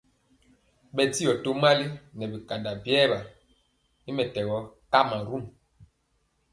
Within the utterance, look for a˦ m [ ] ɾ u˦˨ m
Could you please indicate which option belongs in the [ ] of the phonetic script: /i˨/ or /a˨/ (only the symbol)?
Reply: a˨